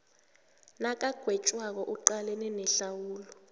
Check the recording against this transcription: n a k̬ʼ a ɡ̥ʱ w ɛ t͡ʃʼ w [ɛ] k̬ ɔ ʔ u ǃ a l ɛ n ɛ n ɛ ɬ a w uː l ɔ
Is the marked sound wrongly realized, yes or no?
yes